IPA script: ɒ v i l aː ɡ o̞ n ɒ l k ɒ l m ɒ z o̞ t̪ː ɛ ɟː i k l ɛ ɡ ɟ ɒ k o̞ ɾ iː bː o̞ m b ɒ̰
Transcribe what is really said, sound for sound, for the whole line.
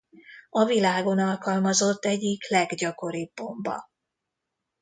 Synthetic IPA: ɒ v i l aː ɡ o̞ n ɒ l k ɒ l m ɒ z o̞ t̪ː ɛ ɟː i k l ɛ ɡ ɟ ɒ k o̞ ɾ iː bː o̞ m b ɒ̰